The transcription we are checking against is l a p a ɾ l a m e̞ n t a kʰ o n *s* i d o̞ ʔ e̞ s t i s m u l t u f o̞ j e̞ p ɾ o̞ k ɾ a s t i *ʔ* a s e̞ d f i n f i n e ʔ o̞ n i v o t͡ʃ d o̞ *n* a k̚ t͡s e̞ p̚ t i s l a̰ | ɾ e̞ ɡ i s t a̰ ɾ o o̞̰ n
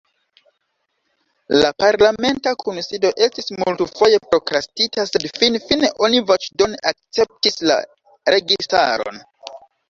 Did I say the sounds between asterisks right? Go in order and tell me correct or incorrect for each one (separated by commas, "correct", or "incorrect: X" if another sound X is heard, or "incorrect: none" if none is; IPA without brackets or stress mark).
correct, incorrect: t, correct